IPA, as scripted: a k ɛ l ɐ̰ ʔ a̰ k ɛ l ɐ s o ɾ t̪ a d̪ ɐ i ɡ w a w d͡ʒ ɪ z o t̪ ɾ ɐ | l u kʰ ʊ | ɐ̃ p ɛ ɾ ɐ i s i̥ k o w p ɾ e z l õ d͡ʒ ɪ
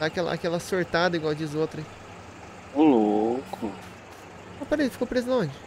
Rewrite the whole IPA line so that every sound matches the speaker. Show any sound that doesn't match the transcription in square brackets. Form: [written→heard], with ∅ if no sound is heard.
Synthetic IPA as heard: a k ɛ l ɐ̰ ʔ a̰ k ɛ l ɐ s o ɾ t̪ a d̪ ɐ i ɡ w a w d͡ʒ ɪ z o t̪ ɾ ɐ | l [u→o] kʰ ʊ | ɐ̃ p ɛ ɾ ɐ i [s→f] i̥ k o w p ɾ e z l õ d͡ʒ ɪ